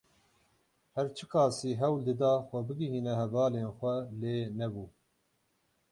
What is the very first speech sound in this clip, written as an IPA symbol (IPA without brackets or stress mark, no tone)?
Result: h